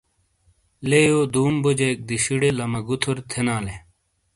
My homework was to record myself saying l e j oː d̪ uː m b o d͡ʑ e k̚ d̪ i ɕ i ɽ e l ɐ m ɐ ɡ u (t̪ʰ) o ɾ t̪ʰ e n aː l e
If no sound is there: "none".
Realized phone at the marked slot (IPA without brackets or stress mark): t̪ʰ